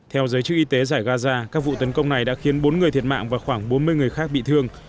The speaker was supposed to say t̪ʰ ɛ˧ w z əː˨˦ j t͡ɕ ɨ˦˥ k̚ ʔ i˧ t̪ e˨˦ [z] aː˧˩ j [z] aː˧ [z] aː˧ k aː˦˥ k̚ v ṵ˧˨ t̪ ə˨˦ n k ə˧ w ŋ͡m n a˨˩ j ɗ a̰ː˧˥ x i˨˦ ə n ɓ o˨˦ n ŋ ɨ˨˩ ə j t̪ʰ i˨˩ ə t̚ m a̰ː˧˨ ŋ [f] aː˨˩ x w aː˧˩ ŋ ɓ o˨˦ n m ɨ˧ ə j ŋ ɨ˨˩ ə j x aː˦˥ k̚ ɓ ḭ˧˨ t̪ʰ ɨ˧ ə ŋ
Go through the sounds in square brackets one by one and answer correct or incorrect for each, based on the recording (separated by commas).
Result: correct, incorrect, correct, incorrect